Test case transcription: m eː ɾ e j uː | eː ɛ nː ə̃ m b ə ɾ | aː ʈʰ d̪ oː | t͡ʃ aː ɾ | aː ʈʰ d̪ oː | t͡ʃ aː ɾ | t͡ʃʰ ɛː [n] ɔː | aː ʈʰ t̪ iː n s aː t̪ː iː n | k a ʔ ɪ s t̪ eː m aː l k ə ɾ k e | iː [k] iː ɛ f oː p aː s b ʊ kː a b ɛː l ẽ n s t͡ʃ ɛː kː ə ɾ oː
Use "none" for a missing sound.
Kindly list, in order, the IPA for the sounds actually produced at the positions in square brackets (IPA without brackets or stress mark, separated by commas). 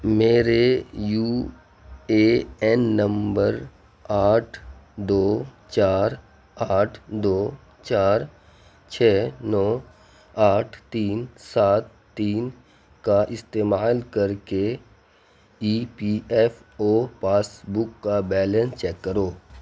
n, p